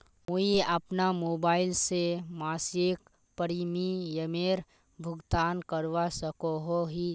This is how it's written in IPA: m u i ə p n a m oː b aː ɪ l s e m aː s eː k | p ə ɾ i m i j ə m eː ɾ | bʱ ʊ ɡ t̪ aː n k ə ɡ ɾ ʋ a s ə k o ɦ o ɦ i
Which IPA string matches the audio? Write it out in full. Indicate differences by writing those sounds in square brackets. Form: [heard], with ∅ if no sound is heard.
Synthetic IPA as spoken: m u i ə p n a m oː b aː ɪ l s e m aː s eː k | p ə ɾ i m i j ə m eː ɾ | bʱ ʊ ɡ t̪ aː n k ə [∅] ɾ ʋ a s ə k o ɦ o ɦ i